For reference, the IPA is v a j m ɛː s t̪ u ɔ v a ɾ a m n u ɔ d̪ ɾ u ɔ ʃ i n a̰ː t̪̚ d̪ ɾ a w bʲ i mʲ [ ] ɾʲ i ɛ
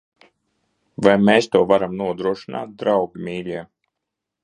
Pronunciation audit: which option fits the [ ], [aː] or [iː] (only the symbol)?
iː